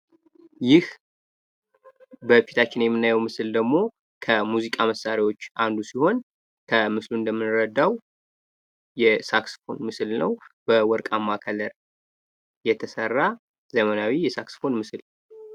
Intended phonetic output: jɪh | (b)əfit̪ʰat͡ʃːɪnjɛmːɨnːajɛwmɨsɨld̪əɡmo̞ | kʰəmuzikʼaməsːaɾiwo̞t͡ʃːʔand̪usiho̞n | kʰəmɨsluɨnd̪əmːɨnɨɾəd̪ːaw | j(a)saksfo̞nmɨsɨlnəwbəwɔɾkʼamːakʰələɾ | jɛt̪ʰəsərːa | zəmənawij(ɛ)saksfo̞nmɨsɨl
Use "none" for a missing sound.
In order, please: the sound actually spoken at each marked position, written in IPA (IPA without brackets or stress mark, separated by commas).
b, ɛ, ɛ